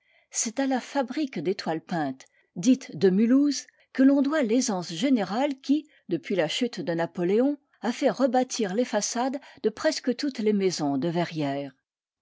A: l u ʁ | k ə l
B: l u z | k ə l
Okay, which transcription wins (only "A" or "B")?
B